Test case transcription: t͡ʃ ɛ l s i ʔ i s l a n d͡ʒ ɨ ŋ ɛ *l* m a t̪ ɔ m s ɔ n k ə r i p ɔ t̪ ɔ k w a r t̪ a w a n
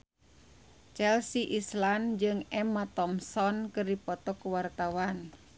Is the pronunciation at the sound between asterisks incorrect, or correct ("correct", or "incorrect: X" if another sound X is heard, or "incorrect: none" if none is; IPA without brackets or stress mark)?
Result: incorrect: none